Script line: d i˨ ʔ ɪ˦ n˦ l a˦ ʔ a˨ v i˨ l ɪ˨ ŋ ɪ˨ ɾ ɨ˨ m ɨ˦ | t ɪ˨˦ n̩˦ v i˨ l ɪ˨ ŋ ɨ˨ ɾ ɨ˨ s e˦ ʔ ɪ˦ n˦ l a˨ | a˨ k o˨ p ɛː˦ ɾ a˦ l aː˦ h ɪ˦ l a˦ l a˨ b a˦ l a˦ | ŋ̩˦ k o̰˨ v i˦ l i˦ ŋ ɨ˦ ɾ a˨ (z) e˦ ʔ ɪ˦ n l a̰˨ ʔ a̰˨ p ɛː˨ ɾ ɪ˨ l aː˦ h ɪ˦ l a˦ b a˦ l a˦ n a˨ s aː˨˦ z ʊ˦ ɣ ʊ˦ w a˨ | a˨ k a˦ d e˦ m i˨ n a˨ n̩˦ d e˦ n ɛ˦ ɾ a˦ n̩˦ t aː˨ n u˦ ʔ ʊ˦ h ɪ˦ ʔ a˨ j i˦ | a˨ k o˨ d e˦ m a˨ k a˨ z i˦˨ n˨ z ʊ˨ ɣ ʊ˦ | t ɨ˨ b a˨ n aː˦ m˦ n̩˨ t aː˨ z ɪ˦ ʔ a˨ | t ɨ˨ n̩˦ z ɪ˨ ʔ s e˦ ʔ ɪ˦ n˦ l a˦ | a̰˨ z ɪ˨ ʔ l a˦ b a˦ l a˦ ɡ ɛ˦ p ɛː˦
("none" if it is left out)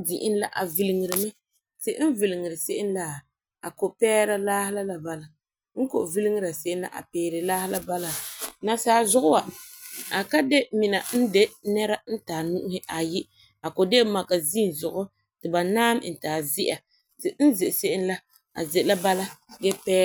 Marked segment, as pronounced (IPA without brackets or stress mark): s